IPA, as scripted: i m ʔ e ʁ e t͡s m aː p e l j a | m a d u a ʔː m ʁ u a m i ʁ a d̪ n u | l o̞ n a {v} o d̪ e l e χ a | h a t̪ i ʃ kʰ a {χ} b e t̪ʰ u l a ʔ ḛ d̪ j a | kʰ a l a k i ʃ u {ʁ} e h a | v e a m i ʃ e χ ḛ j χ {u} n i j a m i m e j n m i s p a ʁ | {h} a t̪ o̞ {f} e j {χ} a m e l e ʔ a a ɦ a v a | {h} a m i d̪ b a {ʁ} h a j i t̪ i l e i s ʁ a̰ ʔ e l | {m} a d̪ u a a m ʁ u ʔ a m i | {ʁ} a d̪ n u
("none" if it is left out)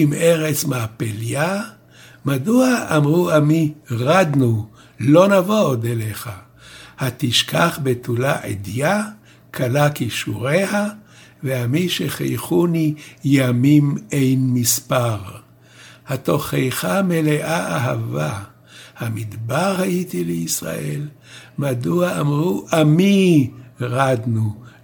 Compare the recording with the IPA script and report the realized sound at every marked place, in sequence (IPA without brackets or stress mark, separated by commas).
v, χ, ʁ, u, h, χ, χ, h, ʁ, m, ʁ